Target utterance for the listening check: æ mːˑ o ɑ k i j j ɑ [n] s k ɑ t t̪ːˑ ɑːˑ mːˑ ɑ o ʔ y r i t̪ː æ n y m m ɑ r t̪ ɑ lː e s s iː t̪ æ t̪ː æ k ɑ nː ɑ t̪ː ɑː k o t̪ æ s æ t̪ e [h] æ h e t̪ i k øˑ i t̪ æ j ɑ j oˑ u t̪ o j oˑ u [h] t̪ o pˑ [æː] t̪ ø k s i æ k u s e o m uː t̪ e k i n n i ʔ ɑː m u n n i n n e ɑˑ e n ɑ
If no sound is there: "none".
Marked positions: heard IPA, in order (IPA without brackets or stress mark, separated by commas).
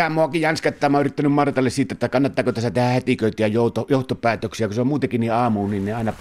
n, h, h, æː